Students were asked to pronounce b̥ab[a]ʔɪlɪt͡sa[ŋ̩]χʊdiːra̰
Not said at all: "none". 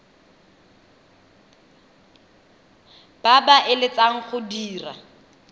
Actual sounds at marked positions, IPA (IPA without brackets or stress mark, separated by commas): a, ŋ̩